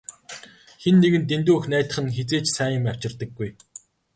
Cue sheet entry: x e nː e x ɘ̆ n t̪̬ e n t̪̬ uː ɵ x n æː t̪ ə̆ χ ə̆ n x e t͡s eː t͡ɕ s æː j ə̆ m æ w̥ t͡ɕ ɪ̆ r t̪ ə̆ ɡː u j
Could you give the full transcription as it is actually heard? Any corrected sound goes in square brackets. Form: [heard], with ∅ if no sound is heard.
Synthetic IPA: x e nː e [ɣ] ɘ̆ n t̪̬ e n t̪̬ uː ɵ x n æː t̪ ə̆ χ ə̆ n x e t͡s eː t͡ɕ s æː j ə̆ m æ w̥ t͡ɕ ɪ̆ r t̪ ə̆ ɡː u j

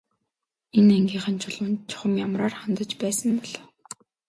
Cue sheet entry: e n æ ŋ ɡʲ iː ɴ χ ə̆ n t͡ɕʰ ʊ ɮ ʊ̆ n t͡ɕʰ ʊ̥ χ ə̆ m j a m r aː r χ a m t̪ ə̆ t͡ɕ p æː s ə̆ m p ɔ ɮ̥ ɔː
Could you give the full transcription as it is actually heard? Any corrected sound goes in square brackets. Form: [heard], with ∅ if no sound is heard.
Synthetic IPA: e n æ ŋ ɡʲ iː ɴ χ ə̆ n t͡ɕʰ ʊ ɮ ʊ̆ n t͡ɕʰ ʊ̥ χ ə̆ m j a m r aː r χ a [n] t̪ ə̆ t͡ɕ p æː s ə̆ m p ɔ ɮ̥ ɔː

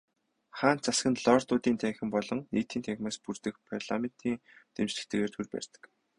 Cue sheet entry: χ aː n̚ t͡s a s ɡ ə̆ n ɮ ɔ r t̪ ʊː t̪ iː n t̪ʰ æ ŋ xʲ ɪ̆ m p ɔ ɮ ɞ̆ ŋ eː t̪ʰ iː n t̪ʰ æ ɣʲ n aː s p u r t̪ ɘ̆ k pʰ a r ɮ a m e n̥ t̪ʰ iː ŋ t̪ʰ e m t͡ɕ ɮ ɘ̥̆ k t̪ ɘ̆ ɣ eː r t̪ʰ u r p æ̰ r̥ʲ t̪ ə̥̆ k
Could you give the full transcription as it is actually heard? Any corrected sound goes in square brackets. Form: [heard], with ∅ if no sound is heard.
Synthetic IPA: χ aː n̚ t͡s a s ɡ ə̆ n ɮ ɔ r t̪ ʊː t̪ iː n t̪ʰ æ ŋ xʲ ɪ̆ m p ɔ ɮ ɞ̆ ŋ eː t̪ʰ iː n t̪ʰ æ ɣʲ [m] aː s p u r t̪ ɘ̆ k pʰ a r ɮ a m e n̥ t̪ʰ iː ŋ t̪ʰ e m t͡ɕ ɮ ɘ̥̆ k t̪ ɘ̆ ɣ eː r t̪ʰ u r p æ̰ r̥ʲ t̪ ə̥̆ k

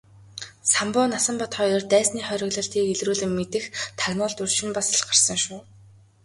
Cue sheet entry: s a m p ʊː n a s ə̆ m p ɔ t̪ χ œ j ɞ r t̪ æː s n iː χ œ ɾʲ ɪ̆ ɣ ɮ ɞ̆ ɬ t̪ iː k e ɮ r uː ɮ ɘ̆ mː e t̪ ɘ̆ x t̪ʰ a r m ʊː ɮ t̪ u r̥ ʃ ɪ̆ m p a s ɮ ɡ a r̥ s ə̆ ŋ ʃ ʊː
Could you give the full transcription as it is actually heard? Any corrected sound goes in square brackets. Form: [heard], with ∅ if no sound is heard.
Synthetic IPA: s a m p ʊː n a s ə̆ m p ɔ t̪ χ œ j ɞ r t̪ æː s n iː χ œ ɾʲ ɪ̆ ɣ ɮ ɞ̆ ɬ t̪ iː k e ɮ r uː ɮ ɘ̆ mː e t̪ ɘ̆ x t̪ʰ a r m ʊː ɮ t̪ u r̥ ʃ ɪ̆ m p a s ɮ [ɢ] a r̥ s ə̆ ŋ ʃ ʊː

